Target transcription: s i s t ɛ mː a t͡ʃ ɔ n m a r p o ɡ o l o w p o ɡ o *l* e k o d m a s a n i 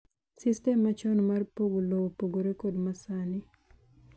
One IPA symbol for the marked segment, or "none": ɾ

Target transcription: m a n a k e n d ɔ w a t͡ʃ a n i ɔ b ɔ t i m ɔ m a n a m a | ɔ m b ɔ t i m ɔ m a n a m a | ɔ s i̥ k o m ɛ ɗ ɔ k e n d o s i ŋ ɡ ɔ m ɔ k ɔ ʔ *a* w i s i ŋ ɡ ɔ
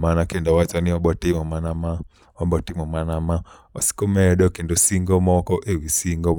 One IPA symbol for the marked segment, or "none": e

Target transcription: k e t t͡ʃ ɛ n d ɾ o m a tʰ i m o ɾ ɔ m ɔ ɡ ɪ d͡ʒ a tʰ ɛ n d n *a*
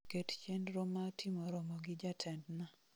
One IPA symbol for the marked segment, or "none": a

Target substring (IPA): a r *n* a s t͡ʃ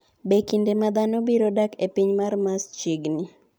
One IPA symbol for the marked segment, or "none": m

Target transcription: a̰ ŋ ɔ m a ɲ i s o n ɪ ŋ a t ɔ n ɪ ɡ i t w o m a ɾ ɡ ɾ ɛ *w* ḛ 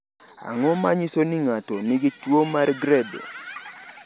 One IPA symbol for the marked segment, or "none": b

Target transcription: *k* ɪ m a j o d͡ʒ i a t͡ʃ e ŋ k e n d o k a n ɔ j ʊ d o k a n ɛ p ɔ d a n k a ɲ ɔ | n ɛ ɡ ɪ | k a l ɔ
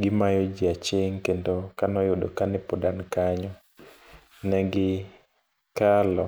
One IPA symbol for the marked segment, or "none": ɡ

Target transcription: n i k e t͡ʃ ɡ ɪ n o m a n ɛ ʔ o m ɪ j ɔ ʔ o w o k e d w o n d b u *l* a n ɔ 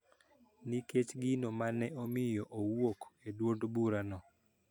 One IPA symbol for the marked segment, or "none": ɾ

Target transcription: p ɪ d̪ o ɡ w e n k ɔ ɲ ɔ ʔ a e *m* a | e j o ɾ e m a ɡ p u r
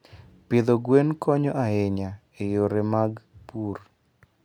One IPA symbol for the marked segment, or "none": ɲ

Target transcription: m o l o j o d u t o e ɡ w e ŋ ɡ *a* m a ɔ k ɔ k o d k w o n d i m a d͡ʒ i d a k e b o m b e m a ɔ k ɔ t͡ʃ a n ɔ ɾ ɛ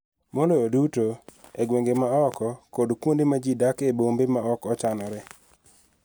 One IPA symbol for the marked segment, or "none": e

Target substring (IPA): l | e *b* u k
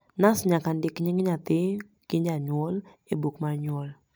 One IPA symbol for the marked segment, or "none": b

